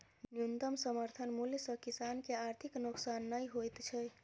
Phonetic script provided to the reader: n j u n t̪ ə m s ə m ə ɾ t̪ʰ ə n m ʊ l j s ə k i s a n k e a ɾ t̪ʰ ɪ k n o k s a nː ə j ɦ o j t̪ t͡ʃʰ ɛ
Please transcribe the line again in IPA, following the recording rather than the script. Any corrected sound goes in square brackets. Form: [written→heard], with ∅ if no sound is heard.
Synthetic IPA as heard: n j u n t̪ ə m s ə m ə ɾ t̪ʰ ə n m [ʊ→u] l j s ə k i s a n k e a ɾ t̪ʰ [ɪ→i] k n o k s a nː ə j ɦ o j t̪ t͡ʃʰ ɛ